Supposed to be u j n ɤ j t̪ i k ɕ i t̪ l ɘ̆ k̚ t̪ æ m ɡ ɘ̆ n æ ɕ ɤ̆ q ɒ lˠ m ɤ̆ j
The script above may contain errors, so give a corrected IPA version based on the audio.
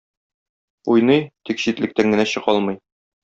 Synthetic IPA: u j n ɤ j t̪ i k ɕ i t̪ l ɘ̆ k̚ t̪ æ ŋ ɡ ɘ̆ n æ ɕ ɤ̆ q ɒ lˠ m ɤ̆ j